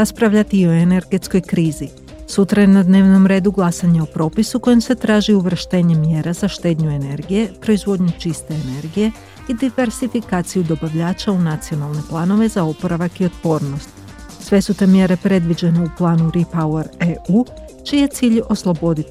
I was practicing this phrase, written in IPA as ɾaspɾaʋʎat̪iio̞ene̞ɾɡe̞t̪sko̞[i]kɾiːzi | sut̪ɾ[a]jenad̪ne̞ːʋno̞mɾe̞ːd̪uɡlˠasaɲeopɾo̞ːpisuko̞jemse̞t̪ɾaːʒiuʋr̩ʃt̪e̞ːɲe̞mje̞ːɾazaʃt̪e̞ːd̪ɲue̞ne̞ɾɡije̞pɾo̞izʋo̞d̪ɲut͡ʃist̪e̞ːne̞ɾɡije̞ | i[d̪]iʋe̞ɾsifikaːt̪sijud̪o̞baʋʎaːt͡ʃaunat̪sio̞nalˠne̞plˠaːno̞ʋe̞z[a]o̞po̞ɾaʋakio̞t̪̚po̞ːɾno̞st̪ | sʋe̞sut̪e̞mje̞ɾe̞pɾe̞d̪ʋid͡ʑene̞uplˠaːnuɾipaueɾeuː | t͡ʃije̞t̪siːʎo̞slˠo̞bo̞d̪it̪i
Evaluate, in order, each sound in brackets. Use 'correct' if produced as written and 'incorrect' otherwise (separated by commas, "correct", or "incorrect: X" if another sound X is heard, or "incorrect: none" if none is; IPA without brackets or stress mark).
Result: incorrect: j, correct, correct, correct